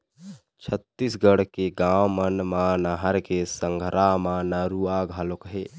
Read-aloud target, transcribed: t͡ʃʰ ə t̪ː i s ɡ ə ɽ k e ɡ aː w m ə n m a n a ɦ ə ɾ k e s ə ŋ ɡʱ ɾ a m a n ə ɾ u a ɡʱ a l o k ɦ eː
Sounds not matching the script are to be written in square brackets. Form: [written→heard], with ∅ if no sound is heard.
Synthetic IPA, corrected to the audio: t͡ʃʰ ə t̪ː i s ɡ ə ɽ k e ɡ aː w m ə n m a n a ɦ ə ɾ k e s ə ŋ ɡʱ ɾ a m a n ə ɾ u a ɡʱ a l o k ɦ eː